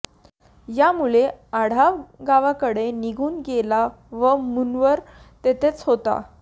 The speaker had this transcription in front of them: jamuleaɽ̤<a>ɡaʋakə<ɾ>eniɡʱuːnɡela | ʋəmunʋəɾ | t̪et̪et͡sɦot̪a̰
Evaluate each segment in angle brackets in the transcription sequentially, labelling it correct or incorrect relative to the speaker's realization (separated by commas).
correct, incorrect